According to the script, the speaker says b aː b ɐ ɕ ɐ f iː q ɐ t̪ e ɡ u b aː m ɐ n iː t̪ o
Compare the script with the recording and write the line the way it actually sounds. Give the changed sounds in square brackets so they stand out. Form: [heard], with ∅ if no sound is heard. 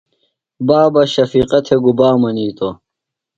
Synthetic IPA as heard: b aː b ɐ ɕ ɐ f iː q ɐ [t̪ʰ] e ɡ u b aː m ɐ n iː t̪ o